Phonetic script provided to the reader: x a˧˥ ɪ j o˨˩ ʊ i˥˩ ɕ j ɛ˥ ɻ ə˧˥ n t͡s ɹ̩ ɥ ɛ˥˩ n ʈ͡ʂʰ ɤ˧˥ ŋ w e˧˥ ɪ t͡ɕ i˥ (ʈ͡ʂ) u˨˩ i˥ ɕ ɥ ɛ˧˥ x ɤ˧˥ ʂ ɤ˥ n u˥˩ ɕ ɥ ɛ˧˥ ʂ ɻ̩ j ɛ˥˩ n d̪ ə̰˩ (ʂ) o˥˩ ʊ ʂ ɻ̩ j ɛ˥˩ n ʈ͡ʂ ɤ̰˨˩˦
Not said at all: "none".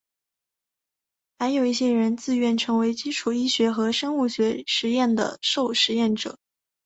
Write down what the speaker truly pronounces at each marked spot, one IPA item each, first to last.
ʈ͡ʂʰ, ʂ

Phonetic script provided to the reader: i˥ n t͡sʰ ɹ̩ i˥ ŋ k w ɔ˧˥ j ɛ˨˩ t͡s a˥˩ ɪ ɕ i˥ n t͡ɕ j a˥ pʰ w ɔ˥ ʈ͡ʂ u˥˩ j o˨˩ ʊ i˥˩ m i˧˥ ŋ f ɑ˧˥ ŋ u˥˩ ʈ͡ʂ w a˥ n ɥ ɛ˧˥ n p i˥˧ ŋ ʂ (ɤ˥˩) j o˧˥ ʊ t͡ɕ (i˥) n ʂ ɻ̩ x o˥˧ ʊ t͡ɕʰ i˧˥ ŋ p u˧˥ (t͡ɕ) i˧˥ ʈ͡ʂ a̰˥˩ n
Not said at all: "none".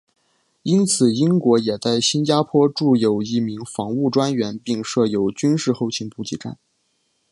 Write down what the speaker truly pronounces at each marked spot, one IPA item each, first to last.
ɤ˥˩, y˥, t͡ɕ

